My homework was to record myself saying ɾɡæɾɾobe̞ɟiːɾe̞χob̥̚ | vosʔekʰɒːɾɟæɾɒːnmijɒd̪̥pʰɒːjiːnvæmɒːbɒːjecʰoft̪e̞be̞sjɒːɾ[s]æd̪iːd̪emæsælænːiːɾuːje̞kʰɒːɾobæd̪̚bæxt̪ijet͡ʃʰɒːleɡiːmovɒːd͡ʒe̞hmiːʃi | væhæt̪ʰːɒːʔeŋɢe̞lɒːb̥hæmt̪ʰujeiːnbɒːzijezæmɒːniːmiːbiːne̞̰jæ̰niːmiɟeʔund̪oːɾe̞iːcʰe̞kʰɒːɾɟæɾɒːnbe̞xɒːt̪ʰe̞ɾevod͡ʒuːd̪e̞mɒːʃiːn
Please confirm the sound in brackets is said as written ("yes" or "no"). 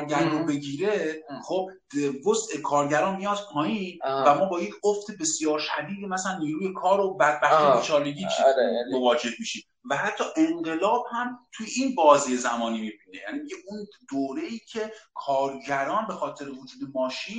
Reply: no